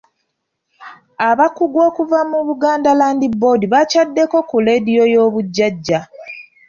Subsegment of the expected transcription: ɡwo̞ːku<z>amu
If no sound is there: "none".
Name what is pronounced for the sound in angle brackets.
v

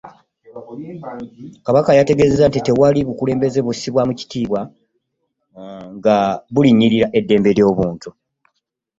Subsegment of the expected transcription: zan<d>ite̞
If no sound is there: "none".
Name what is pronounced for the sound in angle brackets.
t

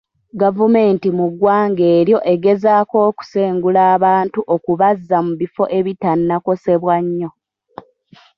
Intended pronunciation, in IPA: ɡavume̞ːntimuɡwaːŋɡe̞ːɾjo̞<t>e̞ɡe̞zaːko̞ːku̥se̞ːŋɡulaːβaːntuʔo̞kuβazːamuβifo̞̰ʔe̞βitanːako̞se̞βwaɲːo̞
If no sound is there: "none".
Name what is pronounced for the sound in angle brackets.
ʔ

